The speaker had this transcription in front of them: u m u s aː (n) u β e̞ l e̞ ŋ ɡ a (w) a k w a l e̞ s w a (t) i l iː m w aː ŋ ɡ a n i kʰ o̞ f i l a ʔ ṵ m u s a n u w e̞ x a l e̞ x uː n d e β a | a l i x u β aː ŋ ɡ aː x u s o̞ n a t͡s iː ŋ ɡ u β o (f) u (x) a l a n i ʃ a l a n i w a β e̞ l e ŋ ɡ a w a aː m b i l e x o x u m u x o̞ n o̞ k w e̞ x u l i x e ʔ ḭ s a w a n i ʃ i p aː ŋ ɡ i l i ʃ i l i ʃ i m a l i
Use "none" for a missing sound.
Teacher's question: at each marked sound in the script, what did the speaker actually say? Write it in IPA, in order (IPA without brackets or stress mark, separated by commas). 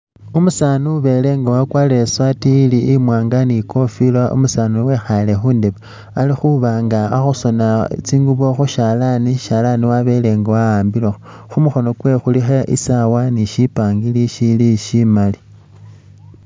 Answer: n, w, t, x, ʃ